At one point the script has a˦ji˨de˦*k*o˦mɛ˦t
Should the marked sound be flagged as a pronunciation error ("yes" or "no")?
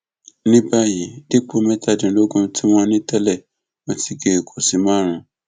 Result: yes